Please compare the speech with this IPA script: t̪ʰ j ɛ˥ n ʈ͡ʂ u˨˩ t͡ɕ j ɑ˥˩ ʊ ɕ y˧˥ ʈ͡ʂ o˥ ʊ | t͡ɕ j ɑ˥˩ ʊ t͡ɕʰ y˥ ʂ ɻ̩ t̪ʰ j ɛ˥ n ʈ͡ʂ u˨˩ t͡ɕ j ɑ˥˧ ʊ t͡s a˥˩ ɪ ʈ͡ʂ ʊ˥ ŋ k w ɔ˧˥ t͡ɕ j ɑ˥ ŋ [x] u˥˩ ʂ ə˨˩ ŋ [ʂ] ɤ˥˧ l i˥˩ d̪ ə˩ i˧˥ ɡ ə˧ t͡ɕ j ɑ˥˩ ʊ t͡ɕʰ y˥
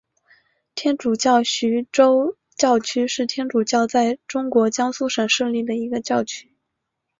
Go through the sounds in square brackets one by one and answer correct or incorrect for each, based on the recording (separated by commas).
incorrect, correct